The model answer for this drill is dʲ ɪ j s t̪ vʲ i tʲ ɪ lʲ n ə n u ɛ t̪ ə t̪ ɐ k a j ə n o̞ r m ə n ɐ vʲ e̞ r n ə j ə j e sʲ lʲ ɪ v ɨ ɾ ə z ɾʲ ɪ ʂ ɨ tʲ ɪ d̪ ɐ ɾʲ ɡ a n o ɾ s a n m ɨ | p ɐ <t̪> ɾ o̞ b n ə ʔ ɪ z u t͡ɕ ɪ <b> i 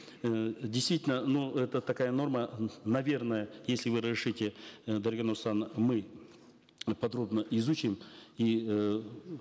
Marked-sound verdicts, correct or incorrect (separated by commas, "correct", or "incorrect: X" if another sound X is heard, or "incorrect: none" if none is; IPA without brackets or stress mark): incorrect: d̪, incorrect: m